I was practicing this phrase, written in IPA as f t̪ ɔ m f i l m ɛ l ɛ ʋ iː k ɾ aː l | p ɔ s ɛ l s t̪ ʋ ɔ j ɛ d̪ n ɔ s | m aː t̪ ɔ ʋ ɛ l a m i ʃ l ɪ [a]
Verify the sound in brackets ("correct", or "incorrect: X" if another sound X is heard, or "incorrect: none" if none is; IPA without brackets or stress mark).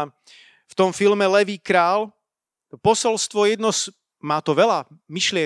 incorrect: ɛ